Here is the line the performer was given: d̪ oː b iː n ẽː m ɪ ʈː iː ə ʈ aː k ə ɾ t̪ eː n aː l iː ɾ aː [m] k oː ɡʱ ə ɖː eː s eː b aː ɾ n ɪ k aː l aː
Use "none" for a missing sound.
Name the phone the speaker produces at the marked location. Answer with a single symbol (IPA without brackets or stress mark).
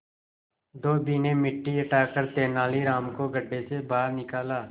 m